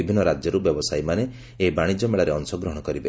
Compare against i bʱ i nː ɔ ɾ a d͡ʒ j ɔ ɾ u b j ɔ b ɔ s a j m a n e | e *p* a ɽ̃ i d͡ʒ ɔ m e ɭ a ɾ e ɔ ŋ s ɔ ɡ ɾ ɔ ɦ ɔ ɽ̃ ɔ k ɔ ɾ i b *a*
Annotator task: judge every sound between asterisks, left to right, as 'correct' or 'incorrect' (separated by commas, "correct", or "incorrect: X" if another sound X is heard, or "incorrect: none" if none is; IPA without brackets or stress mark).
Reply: incorrect: b, incorrect: e